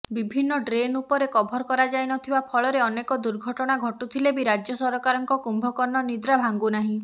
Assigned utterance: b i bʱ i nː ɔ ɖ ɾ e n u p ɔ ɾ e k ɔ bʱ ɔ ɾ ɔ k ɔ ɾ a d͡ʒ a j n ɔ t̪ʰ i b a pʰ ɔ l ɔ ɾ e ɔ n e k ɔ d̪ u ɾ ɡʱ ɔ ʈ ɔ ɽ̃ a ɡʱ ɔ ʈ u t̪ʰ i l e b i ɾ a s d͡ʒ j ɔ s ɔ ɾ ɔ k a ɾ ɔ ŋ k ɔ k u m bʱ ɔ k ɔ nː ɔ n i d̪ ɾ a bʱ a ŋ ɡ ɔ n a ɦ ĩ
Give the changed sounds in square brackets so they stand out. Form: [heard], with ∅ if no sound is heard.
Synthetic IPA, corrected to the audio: b i bʱ i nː ɔ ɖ ɾ e n u p ɔ ɾ e k ɔ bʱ ɔ ɾ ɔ k ɔ ɾ a d͡ʒ a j n ɔ t̪ʰ i b a pʰ ɔ [ɭ] ɔ ɾ e ɔ n e k ɔ d̪ u ɾ ɡʱ ɔ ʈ ɔ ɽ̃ a ɡʱ ɔ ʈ u t̪ʰ i l e b i ɾ a [∅] d͡ʒ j ɔ s ɔ ɾ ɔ k a ɾ ɔ ŋ k ɔ k u m bʱ ɔ k ɔ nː ɔ n i d̪ ɾ a bʱ a ŋ ɡ [u] n a ɦ ĩ